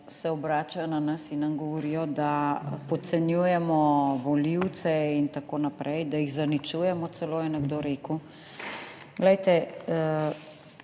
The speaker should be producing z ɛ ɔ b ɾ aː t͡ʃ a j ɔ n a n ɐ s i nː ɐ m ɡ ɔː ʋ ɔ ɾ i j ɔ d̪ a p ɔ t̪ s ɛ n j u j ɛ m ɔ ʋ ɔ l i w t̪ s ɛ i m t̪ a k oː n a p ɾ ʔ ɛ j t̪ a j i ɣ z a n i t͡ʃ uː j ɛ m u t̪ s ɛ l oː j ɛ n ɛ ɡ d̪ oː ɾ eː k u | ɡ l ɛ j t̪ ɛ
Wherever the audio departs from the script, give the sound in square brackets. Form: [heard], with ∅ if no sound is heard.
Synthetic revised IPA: [s] ɛ ɔ b ɾ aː t͡ʃ a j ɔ n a n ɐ s i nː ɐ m ɡ [ɔ] ʋ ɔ ɾ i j ɔ d̪ a p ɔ t̪ s ɛ n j u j ɛ m ɔ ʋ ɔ l i w t̪ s ɛ i [n] t̪ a k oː n a p ɾ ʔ ɛ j [d̪] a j i ɣ z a n i t͡ʃ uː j ɛ m [ɔ] t̪ s ɛ l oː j ɛ n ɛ ɡ d̪ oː ɾ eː k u | ɡ l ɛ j t̪ ɛ